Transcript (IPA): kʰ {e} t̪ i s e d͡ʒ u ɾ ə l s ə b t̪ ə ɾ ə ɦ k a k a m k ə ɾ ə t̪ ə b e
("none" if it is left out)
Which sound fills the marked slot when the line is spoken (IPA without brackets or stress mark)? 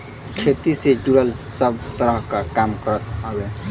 e